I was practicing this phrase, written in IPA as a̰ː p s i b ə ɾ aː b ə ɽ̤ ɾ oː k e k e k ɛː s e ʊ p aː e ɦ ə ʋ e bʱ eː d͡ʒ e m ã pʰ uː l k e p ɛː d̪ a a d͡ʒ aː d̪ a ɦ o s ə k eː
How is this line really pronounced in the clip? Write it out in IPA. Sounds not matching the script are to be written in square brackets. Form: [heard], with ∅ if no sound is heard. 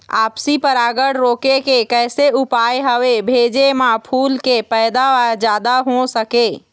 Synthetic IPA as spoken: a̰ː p s i [p] ə ɾ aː [ɡ] ə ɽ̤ ɾ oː k e k e k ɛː s e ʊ p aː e ɦ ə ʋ e bʱ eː d͡ʒ e m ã pʰ uː l k e p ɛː d̪ a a d͡ʒ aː d̪ a ɦ o s ə k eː

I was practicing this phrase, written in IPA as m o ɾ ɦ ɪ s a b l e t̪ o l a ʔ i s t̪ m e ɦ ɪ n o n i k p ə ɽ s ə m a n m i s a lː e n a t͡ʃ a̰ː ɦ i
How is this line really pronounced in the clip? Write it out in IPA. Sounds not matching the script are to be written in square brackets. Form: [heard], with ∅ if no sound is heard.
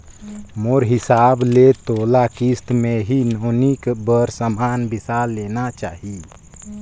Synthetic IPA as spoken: m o ɾ ɦ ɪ s a b l e t̪ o l a [k] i s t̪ m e ɦ [i] n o n i k [b] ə [ɾ] s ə m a n [b] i s a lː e n a t͡ʃ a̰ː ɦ i

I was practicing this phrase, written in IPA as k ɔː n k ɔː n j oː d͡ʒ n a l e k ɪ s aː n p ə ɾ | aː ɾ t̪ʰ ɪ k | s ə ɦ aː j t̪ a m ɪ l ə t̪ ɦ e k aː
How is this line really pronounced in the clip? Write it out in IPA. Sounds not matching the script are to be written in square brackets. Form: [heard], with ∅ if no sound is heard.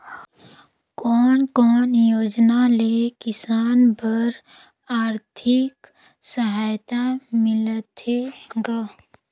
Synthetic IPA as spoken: k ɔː n k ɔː n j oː d͡ʒ n a l e k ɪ s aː n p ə ɾ | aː ɾ t̪ʰ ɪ k | s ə ɦ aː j t̪ a m ɪ l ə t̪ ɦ e [ɡ] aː

